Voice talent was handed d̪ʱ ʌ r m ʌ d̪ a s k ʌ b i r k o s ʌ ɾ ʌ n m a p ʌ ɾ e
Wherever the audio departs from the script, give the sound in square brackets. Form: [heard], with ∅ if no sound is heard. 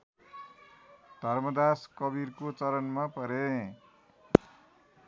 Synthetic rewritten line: d̪ʱ ʌ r m ʌ d̪ a s k ʌ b i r k o [t͡s] ʌ ɾ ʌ n m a p ʌ ɾ e